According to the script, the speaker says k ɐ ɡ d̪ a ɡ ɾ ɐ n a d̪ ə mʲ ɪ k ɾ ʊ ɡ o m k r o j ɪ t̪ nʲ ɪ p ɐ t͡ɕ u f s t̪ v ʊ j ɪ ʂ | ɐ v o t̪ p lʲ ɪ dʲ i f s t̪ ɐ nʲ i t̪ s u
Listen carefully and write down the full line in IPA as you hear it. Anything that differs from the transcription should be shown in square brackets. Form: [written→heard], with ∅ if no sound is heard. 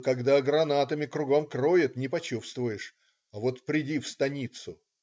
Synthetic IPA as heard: k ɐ ɡ d̪ a ɡ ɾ ɐ n a [d̪→t̪] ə mʲ ɪ k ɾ ʊ ɡ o m k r o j ɪ t̪ nʲ ɪ p ɐ t͡ɕ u f s t̪ v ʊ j ɪ ʂ | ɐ v o t̪ p [lʲ→ɾʲ] ɪ dʲ i f s t̪ ɐ nʲ i t̪ s [u→ʊ]